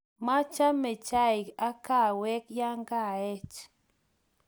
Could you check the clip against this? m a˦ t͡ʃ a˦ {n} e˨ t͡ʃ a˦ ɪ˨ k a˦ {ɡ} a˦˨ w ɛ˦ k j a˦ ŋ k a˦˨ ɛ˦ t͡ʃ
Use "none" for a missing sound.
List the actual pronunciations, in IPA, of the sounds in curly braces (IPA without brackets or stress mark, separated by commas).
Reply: m, k